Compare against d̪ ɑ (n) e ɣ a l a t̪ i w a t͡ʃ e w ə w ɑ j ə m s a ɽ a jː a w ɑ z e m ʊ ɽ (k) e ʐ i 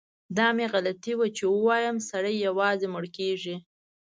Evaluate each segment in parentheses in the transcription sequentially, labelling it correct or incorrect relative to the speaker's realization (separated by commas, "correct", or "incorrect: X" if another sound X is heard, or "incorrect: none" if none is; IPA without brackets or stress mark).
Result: incorrect: m, correct